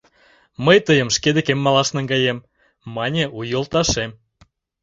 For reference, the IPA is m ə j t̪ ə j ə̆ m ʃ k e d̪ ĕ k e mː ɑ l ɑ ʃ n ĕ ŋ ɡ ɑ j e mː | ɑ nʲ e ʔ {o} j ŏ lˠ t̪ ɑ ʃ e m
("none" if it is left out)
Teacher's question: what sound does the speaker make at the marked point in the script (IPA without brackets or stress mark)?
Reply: u